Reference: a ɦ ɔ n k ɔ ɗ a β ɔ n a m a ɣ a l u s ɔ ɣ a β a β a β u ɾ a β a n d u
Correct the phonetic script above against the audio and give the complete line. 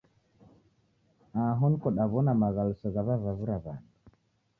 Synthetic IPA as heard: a ɦ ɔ n k ɔ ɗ a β ɔ n a m a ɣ a l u s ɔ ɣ a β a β a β u ɾ a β a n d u